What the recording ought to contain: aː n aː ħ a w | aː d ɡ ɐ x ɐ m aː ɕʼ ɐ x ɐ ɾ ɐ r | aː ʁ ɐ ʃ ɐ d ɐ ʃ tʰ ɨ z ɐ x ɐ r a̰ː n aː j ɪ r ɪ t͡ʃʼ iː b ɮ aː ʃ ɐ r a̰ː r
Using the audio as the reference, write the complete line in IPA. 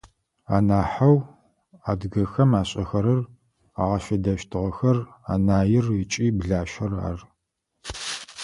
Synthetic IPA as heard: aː n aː ħ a w | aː d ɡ ɐ x ɐ m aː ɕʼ ɐ x ɐ ɾ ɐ r | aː ʁ ɐ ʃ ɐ d ɐ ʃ tʰ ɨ ʁ ɐ x ɐ r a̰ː n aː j ɪ r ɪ t͡ʃʼ iː b ɮ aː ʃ ɐ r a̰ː r